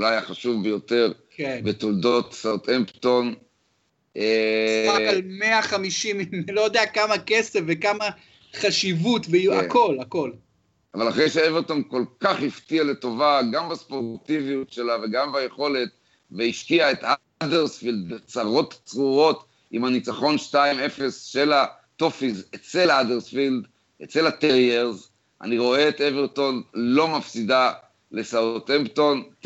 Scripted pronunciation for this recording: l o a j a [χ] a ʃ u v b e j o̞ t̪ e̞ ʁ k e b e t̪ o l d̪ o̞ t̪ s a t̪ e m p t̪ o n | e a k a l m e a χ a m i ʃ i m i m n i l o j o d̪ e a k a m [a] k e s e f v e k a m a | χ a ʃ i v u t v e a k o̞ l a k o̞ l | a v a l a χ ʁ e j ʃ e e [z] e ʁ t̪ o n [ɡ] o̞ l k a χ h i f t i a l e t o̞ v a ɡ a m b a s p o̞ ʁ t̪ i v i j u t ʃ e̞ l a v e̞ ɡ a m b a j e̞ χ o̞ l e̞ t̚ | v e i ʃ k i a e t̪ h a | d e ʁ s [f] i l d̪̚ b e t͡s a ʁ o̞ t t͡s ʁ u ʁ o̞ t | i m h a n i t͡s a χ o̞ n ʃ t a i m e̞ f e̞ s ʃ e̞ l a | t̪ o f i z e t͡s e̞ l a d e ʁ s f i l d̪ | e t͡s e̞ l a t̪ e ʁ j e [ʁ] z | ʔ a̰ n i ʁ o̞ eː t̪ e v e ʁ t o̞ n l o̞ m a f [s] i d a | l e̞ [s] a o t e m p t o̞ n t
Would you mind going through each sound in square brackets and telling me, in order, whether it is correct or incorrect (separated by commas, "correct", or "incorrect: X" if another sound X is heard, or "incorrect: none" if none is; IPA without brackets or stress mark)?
correct, correct, incorrect: v, incorrect: k, correct, correct, correct, correct